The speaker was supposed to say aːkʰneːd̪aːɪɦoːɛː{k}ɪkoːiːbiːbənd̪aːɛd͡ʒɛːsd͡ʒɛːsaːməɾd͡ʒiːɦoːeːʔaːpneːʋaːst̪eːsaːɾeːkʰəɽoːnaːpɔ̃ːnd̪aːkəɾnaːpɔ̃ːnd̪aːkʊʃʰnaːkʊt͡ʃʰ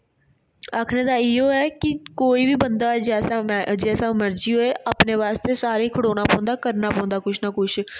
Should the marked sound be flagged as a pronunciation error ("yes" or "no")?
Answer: no